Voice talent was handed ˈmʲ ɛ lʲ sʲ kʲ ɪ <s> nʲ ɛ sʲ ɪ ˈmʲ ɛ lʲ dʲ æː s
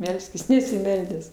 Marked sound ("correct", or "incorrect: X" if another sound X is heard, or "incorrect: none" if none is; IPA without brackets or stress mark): correct